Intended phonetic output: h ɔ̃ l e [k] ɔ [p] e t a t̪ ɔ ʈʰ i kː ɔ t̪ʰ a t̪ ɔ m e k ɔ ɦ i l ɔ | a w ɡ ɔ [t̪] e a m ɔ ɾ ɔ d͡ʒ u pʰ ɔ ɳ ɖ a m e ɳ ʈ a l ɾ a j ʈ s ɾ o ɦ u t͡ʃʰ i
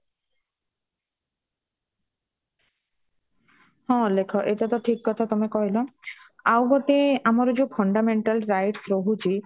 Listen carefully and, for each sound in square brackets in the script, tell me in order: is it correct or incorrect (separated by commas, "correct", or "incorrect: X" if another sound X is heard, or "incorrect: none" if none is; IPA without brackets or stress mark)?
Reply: incorrect: kʰ, incorrect: ʔ, correct